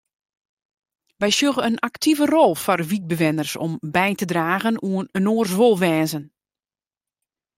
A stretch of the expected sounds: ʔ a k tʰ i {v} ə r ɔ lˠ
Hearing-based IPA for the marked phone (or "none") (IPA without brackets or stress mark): v